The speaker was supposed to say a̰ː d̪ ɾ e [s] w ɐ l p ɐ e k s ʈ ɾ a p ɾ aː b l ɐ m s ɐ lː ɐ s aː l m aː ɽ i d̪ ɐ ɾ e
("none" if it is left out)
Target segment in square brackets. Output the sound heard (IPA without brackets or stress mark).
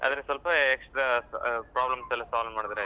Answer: s